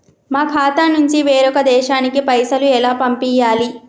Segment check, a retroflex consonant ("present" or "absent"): absent